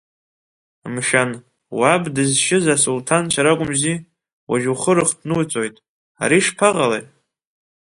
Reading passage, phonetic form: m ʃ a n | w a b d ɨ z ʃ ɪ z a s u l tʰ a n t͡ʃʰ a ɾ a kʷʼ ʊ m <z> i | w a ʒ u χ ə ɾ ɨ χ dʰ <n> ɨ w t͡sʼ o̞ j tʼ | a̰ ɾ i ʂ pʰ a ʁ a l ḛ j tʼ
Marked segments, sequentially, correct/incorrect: correct, correct

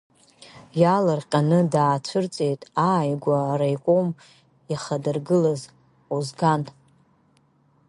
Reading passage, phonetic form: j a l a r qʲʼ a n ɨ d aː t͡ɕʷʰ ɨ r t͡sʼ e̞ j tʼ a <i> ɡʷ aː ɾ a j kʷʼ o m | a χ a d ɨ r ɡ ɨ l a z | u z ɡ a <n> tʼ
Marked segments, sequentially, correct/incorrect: incorrect, correct

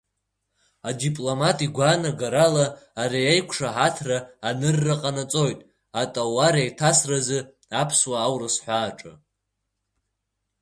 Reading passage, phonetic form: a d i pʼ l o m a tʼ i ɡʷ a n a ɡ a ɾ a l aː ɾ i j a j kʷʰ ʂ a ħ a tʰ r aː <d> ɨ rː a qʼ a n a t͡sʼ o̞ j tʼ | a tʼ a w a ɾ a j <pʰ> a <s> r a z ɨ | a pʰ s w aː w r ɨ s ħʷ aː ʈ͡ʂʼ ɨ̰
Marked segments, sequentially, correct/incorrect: incorrect, incorrect, correct

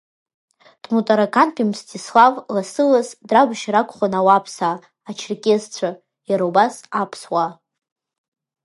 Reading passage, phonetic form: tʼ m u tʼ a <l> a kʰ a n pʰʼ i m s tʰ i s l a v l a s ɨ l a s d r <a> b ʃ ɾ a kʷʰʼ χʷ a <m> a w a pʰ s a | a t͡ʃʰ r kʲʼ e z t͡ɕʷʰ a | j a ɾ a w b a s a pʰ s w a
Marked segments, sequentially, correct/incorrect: incorrect, correct, incorrect

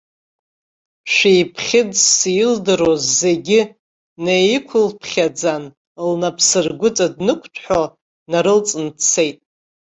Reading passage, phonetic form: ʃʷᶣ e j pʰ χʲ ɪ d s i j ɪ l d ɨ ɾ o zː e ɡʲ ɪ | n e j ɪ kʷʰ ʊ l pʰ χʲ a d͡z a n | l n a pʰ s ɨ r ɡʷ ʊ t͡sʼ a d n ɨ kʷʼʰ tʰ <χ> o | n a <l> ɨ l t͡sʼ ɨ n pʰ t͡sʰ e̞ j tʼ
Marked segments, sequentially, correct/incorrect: incorrect, incorrect

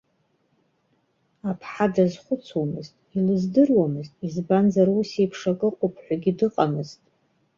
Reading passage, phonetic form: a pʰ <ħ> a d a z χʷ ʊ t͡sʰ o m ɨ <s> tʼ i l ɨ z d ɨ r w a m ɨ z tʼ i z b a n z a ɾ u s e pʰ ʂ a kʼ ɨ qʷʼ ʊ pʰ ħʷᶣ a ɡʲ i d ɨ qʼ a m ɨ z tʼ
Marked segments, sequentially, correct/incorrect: correct, incorrect

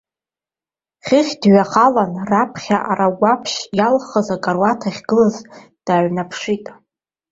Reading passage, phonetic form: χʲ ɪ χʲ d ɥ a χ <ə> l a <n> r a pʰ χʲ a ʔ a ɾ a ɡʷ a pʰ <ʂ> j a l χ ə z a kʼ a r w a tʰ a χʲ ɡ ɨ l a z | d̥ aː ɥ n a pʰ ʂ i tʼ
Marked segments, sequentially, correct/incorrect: incorrect, correct, incorrect

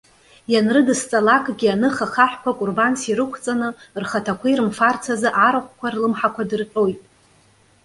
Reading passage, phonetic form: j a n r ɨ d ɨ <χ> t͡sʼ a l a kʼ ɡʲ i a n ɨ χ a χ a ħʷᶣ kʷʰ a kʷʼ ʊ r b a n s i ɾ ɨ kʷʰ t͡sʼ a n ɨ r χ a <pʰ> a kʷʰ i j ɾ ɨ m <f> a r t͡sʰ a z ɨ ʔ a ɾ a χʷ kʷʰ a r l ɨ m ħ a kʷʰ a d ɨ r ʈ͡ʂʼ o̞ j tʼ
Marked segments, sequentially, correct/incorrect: incorrect, incorrect, correct

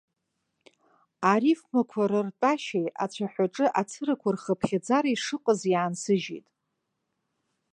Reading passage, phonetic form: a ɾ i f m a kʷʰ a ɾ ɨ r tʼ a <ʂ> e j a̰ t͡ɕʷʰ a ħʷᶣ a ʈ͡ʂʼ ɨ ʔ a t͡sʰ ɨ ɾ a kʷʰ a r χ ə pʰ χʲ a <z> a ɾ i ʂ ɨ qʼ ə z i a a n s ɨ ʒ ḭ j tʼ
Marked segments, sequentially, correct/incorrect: incorrect, incorrect

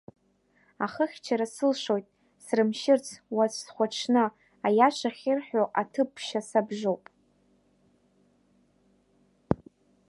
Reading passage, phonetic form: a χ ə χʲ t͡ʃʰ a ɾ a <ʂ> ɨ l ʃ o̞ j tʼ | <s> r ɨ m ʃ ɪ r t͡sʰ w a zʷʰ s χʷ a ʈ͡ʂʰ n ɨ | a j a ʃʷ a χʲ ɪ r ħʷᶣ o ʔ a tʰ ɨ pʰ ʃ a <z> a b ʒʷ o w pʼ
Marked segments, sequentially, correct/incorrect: incorrect, correct, incorrect

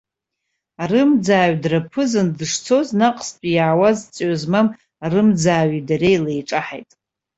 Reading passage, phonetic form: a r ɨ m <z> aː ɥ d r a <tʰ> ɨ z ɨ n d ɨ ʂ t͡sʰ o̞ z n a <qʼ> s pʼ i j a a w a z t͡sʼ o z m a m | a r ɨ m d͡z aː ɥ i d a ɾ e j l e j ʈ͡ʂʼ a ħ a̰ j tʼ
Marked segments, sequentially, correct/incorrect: incorrect, incorrect, correct

